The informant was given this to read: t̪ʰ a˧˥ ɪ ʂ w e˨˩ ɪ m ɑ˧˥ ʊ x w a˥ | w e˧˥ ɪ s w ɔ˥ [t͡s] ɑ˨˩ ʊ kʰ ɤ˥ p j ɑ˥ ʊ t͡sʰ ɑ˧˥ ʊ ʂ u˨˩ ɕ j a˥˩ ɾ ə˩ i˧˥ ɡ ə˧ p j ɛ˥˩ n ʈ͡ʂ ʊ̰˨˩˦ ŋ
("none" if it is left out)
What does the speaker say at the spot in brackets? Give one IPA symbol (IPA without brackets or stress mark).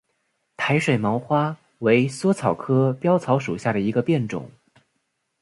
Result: t͡sʰ